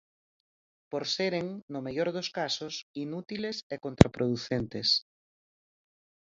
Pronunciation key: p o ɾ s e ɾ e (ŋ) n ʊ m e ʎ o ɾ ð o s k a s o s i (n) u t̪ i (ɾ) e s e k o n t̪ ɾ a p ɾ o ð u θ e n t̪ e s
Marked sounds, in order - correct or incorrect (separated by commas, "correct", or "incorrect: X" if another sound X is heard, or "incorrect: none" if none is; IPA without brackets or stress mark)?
correct, correct, incorrect: l